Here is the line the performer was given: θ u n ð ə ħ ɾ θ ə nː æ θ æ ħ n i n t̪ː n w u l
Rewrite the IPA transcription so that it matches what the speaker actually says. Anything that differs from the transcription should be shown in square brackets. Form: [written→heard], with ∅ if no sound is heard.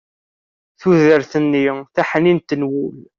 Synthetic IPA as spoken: θ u [n→∅] ð ə [ħ→∅] ɾ θ ə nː [æ→i] θ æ ħ n i n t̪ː n w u l